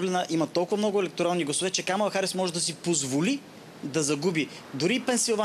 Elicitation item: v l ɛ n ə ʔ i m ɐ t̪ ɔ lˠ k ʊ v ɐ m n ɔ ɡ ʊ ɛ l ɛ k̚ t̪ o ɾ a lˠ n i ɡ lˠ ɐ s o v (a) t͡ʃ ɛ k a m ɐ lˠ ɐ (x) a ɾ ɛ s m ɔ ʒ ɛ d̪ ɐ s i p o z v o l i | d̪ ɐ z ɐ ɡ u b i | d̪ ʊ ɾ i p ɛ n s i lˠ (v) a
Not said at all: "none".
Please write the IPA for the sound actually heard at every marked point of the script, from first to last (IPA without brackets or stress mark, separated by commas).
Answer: ɛ, x, v